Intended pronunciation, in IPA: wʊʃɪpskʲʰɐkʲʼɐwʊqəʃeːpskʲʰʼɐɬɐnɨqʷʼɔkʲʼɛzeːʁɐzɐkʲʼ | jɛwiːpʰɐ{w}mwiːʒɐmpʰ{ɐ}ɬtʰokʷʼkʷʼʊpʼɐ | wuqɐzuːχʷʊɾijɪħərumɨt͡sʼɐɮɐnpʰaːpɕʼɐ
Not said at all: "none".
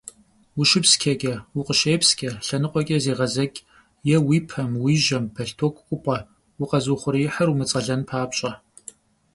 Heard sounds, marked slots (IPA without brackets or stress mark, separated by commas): none, ɐ